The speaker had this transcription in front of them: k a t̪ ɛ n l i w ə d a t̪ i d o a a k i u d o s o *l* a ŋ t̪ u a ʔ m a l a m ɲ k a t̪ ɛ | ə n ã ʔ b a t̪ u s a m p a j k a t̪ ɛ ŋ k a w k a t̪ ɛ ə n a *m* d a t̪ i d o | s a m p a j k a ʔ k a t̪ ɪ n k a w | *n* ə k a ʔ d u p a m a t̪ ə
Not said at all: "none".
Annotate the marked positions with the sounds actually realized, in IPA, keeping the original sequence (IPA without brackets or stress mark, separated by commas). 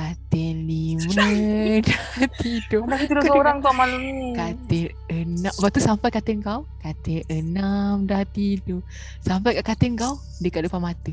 ɾ, m, d